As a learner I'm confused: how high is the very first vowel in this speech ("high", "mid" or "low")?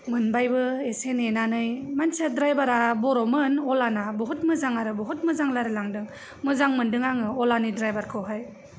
high